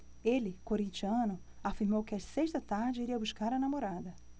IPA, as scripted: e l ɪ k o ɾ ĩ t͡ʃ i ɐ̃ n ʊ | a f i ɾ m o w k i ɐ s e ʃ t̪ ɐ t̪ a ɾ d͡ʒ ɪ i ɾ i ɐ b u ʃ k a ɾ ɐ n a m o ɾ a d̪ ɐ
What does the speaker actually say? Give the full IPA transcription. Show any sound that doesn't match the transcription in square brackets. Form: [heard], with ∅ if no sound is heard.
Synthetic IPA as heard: e l ɪ k o ɾ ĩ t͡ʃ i ɐ̃ n ʊ | a f i ɾ m o w k [ɪ] ɐ s e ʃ t̪ ɐ t̪ a ɾ d͡ʒ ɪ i ɾ i ɐ b u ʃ k a ɾ ɐ n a m o ɾ a d̪ ɐ